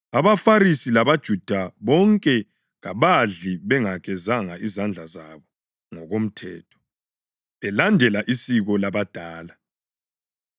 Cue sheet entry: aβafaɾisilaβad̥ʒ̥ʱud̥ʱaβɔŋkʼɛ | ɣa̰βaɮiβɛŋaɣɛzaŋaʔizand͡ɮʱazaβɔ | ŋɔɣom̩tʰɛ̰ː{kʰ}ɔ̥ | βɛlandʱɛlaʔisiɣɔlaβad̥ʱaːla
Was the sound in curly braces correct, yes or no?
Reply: no